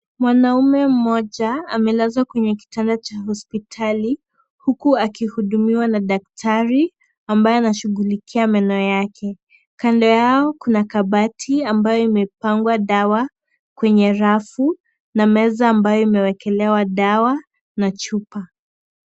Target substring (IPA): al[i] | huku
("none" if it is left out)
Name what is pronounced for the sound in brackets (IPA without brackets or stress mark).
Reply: i